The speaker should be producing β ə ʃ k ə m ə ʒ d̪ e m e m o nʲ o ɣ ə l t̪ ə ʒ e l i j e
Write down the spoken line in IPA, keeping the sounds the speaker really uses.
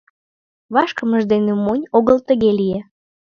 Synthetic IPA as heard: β ɑ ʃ k ə m ə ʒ d̪ e n e m o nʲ o ɣ ə l t̪ ə ɣ e l i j e